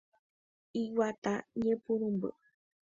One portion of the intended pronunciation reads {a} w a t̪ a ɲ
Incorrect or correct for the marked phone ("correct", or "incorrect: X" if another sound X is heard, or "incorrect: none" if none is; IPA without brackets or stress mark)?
incorrect: i